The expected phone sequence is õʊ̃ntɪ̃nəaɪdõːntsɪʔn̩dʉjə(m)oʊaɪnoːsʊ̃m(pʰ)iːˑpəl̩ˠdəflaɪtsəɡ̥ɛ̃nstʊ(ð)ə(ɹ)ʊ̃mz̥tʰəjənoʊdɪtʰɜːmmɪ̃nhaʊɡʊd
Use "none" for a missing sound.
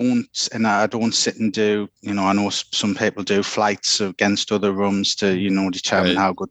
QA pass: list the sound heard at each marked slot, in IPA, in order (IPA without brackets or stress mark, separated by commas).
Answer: n, pʰ, ð, ɹ